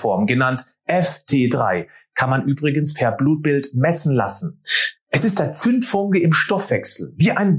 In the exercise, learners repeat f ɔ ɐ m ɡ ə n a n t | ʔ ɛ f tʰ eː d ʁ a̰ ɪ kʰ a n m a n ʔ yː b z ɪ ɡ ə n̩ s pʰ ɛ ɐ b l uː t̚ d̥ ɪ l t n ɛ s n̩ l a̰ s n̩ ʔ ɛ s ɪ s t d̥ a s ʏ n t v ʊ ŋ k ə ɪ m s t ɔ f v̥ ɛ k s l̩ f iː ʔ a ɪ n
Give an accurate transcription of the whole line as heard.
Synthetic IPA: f ɔ ɐ m ɡ ə n a n t | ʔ ɛ f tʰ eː d ʁ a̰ ɪ kʰ a n m a n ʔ yː b ʁ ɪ ɡ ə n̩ s pʰ ɛ ɐ b l uː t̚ b̥ ɪ l t m ɛ s n̩ l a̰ s n̩ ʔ ɛ s ɪ s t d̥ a t͡s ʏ n t f ʊ ŋ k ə ɪ m ʃ t ɔ f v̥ ɛ k s l̩ v iː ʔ a ɪ n